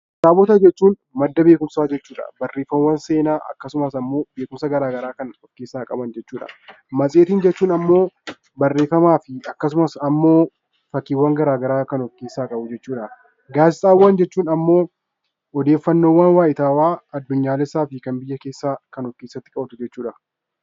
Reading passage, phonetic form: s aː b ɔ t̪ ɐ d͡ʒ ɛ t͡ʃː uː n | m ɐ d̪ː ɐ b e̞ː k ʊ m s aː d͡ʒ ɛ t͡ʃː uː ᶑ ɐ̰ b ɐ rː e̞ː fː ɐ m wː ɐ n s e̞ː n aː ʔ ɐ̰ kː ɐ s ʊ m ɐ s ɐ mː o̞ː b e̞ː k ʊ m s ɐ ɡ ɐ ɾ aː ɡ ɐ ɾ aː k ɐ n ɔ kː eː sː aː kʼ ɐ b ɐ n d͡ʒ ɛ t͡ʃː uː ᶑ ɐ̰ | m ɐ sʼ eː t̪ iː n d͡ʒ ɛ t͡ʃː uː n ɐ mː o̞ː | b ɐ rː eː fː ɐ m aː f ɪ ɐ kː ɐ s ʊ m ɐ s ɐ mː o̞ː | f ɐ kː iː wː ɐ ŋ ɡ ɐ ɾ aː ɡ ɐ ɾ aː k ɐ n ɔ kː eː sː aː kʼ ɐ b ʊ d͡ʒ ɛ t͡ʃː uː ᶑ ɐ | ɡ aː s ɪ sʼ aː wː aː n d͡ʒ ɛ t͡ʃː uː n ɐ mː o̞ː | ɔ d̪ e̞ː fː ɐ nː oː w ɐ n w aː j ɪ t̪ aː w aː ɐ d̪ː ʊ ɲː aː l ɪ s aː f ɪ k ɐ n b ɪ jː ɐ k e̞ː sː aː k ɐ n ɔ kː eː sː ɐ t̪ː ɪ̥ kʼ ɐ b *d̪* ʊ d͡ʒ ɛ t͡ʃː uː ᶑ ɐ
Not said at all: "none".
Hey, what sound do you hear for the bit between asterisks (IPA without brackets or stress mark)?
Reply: t̪